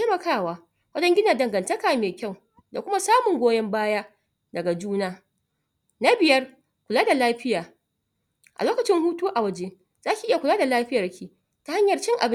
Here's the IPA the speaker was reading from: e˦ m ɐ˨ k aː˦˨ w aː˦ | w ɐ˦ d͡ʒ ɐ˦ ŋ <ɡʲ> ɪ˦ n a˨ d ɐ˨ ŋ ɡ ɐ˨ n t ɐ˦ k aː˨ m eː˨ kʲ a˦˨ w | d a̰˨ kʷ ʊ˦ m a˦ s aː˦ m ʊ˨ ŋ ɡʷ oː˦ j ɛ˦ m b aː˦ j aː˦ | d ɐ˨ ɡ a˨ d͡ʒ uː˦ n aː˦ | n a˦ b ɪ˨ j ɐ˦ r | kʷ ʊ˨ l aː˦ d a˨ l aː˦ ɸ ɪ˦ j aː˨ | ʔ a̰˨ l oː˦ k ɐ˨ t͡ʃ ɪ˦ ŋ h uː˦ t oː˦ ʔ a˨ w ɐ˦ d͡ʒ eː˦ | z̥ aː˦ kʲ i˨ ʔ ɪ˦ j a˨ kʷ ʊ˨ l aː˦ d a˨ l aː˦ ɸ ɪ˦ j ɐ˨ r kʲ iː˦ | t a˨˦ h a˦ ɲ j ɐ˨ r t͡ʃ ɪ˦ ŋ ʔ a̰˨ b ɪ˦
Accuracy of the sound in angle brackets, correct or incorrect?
correct